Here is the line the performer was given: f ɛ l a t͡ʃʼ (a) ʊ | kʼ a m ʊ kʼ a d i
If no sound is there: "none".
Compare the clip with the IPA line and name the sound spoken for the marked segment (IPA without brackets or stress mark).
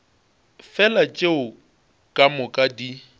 e